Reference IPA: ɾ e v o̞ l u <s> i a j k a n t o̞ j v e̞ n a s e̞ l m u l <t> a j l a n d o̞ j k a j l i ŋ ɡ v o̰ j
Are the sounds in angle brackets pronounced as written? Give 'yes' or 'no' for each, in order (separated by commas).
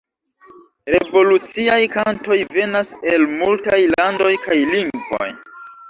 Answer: no, yes